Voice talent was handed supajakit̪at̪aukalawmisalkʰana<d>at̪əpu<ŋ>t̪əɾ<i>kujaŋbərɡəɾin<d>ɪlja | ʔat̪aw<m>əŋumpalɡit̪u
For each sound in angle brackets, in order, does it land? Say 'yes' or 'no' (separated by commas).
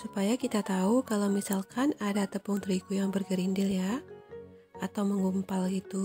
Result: yes, yes, yes, yes, yes